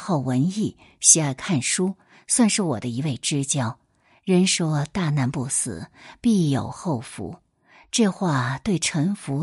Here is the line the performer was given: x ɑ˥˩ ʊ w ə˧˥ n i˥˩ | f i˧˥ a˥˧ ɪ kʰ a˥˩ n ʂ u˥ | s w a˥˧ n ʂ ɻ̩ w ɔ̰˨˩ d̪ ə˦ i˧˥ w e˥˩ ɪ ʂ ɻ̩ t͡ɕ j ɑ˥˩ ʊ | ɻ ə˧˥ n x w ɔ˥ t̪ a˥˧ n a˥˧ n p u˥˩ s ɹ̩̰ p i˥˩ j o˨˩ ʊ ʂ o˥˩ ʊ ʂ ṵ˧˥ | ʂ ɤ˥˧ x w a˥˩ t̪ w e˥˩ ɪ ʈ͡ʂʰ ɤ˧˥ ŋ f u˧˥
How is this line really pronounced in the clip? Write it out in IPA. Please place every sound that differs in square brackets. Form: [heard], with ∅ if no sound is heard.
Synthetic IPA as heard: x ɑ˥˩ ʊ w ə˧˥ n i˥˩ | [ɕ] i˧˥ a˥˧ ɪ kʰ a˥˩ n ʂ u˥ | s w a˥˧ n ʂ ɻ̩ w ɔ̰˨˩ d̪ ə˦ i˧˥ w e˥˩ ɪ [ʈ͡ʂ] ɻ̩ t͡ɕ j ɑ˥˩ ʊ | ɻ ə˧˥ n [ʂ] w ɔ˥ t̪ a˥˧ n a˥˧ n p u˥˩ s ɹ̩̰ p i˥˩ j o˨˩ ʊ [x] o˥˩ ʊ [f] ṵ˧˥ | [ʈ͡ʂ] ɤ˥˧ x w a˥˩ t̪ w e˥˩ ɪ ʈ͡ʂʰ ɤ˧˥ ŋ f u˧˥